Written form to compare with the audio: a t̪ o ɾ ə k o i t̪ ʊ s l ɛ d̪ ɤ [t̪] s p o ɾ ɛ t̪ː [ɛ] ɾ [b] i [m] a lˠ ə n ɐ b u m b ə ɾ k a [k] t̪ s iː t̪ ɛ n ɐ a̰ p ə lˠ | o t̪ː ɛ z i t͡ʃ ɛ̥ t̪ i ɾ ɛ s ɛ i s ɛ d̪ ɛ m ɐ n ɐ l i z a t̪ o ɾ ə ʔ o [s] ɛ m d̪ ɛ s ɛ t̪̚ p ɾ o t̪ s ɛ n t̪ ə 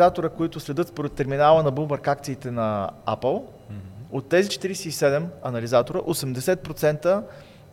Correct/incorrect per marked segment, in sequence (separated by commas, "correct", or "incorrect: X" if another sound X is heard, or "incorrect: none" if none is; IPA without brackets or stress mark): correct, correct, incorrect: m, incorrect: n, correct, correct